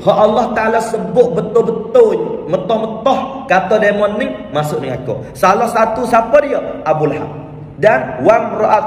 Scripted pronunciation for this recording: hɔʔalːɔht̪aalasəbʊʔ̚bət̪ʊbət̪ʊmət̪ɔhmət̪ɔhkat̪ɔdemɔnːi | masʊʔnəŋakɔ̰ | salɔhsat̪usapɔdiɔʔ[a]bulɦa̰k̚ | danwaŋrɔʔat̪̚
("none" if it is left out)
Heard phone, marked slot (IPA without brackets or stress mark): a